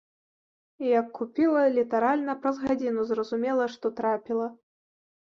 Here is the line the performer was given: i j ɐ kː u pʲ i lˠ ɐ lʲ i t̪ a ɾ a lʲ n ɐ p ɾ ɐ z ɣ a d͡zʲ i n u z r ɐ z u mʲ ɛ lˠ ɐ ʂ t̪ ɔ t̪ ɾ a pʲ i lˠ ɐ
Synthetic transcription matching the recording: i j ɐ kː u pʲ i lˠ ɐ lʲ i t̪ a ɾ a lʲ n ɐ p ɾ ɐ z ɣ a d͡zʲ i n u z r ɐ z u mʲ ɛ lˠ ɐ ʂ t̪ ɔ t̪ ɾ a pʲ i lˠ ɐ